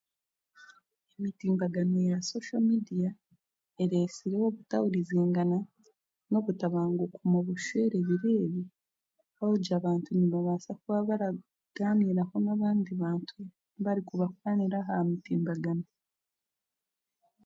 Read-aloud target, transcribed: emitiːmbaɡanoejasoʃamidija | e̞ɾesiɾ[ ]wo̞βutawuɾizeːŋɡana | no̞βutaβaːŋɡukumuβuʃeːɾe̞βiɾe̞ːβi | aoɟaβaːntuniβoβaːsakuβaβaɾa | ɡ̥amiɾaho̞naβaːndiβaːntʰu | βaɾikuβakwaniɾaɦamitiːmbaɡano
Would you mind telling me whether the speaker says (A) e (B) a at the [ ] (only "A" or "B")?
A